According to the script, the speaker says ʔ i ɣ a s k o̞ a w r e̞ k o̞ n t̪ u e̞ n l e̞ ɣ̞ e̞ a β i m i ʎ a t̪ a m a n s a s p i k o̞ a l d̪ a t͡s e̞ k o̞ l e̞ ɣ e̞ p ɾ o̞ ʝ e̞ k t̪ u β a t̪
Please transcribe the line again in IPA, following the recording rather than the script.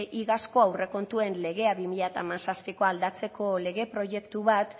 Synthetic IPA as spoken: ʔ i ɣ a s k o̞ a w r e̞ k o̞ n t̪ u e̞ n l e̞ ɣ̞ e̞ a β i m i ʎ a t̪ a m a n s a s p i k o̞ a l d̪ a t͡s e̞ k o̞ l e̞ ɣ e̞ p ɾ o̞ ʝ e̞ k t̪ u β a t̪